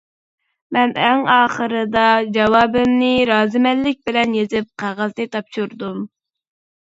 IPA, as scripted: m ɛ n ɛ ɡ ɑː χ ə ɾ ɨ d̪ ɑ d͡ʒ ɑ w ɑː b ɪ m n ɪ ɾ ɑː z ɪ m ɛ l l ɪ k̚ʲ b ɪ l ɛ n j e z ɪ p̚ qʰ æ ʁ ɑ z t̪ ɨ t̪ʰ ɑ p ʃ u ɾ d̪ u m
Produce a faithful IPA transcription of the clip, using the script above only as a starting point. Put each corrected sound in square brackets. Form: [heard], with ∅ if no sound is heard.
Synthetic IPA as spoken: m ɛ n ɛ [ŋ] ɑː χ ə ɾ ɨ d̪ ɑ d͡ʒ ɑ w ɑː b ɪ m n ɪ ɾ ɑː z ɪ m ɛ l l ɪ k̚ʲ b ɪ l ɛ n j e z ɪ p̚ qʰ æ ʁ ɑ z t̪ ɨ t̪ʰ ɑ p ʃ u ɾ d̪ u m